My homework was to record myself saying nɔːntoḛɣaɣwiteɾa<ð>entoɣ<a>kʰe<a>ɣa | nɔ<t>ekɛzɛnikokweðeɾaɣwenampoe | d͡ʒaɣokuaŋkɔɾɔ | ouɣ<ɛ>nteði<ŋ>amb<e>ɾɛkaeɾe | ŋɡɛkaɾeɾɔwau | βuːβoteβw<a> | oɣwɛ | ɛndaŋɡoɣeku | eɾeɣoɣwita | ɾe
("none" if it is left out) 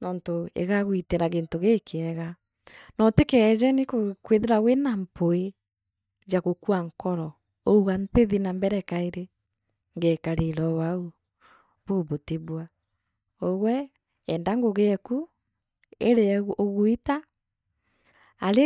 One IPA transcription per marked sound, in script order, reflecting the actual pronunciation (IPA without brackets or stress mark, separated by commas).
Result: ɣ, e, ɛ, t, a, n, ɛ, a